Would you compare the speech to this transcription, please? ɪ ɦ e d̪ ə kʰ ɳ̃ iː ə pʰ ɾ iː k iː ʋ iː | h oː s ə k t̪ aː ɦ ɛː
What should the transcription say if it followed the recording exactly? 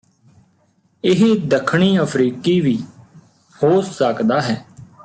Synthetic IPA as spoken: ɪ ɦ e d̪ ə kʰ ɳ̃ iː ə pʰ ɾ iː k iː ʋ iː | h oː s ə k d̪ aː ɦ ɛː